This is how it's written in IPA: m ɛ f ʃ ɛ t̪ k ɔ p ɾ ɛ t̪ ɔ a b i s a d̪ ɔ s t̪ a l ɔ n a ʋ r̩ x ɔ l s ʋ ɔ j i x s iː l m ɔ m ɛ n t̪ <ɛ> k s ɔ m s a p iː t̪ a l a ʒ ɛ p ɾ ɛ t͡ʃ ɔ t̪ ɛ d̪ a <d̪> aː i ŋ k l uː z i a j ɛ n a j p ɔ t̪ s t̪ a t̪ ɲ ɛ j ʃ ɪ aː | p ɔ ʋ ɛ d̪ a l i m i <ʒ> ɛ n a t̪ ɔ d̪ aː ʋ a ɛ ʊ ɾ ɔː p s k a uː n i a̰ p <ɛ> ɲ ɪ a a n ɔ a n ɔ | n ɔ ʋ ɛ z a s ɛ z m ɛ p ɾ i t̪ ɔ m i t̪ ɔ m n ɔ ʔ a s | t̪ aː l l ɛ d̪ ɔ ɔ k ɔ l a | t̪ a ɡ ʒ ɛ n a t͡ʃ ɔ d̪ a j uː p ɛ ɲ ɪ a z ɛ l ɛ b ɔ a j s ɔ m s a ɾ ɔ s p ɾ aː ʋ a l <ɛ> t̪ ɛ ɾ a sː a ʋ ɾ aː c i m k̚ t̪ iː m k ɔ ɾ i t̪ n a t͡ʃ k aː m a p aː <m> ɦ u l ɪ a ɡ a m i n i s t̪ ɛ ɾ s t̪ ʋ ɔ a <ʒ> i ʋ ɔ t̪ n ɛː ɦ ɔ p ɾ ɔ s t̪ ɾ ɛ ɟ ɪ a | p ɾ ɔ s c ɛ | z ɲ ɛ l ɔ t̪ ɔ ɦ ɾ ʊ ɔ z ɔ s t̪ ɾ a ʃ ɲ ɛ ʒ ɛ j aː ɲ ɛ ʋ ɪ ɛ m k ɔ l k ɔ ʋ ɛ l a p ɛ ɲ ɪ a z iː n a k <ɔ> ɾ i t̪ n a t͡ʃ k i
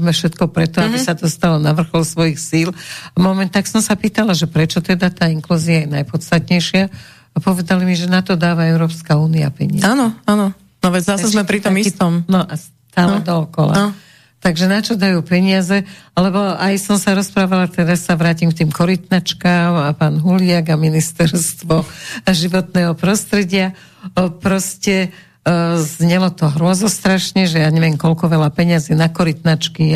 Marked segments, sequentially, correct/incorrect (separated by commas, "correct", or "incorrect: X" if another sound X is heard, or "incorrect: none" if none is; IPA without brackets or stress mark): incorrect: a, incorrect: t̪, correct, correct, incorrect: a, incorrect: n, correct, correct